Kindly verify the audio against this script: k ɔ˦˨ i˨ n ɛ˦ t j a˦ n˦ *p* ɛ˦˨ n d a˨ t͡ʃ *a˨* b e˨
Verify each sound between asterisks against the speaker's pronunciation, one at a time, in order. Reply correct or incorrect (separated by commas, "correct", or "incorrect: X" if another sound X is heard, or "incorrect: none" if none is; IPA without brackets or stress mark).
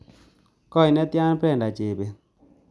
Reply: correct, incorrect: e˨